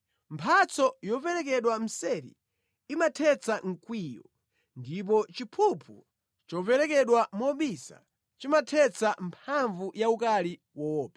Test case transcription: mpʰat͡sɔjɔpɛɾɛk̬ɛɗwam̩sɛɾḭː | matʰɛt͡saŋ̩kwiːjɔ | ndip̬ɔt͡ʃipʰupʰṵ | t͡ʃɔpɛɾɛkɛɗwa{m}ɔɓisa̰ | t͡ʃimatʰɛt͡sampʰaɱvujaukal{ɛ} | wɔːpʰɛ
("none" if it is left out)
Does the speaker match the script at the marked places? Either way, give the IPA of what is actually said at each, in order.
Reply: m, i

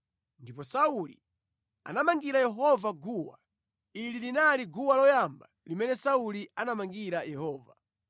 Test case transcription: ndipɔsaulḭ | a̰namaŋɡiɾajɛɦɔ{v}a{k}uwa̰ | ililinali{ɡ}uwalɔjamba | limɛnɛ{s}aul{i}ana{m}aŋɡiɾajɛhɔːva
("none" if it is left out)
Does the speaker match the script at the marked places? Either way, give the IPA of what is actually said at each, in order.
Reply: v, ɡ, ɡ, s, i, m

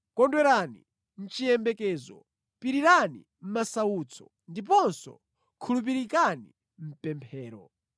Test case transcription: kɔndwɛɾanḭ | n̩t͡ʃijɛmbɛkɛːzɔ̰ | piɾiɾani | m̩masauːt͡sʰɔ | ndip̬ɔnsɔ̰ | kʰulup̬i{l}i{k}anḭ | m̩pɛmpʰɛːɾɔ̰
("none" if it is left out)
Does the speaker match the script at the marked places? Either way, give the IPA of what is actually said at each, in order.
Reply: ɾ, k

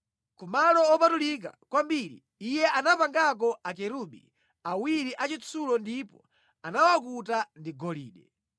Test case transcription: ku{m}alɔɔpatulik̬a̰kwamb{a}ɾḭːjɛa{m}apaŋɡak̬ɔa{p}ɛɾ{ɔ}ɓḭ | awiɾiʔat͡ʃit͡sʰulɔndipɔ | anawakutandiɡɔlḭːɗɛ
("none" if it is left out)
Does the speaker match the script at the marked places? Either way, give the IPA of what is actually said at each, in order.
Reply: m, i, n, k, u

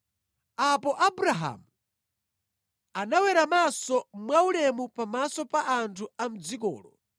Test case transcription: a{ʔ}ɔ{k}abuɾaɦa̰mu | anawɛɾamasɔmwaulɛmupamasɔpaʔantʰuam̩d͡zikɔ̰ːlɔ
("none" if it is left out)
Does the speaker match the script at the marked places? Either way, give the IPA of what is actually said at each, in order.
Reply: p, ʔ

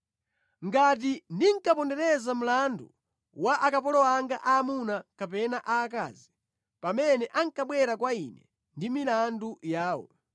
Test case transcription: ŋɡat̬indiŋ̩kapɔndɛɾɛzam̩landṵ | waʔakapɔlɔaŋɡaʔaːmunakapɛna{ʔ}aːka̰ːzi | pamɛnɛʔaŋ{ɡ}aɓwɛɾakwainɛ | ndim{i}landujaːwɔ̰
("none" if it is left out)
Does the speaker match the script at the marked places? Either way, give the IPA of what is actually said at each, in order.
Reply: ʔ, k, i

